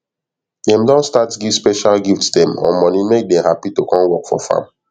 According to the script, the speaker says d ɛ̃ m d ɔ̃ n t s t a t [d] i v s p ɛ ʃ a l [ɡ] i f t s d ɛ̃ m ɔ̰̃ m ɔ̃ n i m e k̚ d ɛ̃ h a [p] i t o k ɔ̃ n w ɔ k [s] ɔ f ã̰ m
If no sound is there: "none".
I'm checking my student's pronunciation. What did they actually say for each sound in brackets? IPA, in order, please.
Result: ɡ, ɡ, p, f

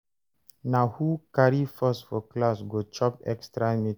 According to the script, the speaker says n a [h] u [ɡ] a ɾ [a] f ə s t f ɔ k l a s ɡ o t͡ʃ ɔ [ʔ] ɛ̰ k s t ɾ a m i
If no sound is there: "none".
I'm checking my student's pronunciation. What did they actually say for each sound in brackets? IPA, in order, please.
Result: h, k, i, p

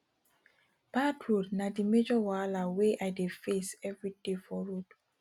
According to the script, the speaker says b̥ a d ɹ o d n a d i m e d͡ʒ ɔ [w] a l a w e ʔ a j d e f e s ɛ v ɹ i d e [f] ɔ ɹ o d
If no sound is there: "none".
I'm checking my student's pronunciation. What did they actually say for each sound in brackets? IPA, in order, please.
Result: w, f

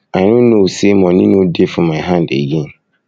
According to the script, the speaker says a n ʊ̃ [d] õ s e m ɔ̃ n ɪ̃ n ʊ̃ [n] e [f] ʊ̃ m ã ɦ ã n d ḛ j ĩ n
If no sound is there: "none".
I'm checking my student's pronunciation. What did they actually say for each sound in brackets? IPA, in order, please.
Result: n, d, f

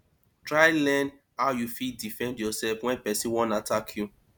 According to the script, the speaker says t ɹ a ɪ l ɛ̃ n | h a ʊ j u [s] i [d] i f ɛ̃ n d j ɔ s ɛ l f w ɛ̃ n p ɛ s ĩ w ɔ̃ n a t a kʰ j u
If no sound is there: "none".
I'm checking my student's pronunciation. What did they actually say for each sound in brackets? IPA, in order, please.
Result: f, d

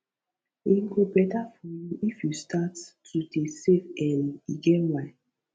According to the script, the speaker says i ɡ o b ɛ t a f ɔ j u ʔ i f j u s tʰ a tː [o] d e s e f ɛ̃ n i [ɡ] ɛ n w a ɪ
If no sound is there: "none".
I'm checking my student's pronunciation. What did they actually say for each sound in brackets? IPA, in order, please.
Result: u, ɡ

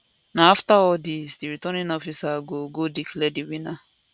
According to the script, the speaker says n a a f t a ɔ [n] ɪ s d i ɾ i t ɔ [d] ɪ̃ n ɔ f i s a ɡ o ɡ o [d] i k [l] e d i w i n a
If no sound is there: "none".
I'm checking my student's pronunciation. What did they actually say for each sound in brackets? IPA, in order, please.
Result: d, n, d, l

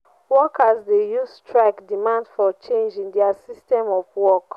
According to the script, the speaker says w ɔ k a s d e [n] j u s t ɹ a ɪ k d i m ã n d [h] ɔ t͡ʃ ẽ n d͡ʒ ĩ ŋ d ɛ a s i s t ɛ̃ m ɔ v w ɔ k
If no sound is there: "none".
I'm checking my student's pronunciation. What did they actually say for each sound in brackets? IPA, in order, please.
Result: none, f

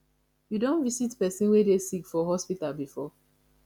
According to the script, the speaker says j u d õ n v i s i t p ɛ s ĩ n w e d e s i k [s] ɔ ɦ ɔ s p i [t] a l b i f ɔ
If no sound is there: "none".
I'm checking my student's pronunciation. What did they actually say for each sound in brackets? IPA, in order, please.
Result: f, t

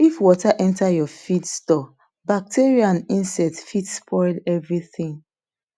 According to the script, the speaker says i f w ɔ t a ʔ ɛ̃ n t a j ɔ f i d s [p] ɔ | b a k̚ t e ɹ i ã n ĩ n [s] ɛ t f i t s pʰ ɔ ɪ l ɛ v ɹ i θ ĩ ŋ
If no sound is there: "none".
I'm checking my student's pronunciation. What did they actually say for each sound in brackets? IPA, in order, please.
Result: t, s

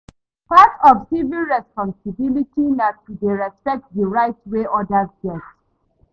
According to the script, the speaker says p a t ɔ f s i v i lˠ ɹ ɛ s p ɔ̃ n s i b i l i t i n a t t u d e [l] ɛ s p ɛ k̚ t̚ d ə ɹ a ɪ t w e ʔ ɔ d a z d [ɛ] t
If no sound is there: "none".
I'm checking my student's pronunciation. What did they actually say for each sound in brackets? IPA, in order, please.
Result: ɹ, ɛ

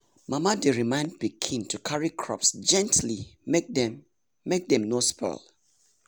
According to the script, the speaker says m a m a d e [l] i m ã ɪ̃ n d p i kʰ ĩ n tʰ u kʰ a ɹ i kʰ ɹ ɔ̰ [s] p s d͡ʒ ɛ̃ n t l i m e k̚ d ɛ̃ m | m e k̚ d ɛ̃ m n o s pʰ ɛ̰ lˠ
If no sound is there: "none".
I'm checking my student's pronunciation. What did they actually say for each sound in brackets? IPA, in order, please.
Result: ɹ, none

